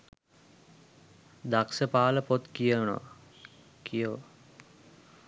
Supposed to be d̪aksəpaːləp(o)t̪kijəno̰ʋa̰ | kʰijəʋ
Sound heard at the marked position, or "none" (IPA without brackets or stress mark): o